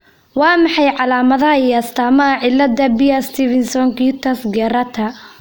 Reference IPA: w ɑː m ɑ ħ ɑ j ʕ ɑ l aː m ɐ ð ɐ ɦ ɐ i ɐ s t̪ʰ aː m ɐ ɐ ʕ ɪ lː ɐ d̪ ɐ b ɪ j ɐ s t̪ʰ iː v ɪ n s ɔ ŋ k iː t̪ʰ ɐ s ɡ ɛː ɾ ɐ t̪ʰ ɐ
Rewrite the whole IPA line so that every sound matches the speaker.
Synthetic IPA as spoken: w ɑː m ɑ ħ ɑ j ʕ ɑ l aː m ɐ ð ɐ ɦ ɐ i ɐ s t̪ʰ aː m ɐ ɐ ʕ ɪ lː ɐ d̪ ɐ b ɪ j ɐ s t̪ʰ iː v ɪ n s ɔ ŋ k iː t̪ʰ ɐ s ɡ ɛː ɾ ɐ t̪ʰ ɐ